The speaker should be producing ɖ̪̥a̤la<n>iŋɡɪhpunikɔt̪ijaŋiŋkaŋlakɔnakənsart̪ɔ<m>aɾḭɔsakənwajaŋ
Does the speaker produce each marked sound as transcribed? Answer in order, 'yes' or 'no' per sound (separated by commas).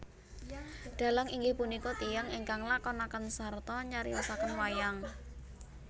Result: no, no